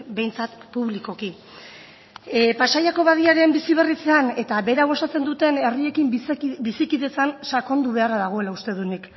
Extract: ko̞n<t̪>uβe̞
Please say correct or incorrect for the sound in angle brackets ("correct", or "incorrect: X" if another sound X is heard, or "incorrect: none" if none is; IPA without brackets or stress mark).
incorrect: d̪